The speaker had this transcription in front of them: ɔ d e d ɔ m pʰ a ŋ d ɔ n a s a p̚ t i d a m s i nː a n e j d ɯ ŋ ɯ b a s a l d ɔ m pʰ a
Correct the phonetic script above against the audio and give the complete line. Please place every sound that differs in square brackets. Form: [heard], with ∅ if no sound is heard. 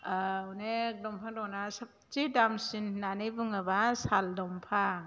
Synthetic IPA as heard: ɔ [n] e d ɔ m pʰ a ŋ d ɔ n a s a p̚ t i d a m s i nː a n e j [b] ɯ ŋ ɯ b a s a l d ɔ m pʰ a